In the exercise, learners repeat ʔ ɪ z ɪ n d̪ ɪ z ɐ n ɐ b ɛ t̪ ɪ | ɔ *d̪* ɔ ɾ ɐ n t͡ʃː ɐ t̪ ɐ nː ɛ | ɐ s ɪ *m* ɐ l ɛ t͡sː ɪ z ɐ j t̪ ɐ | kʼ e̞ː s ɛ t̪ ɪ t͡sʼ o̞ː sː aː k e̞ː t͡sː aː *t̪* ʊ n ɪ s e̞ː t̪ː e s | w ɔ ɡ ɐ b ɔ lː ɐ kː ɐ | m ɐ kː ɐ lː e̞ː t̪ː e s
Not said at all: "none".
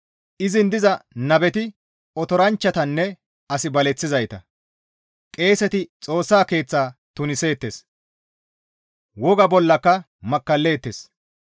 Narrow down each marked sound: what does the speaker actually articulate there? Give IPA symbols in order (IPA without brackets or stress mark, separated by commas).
t̪, b, t̪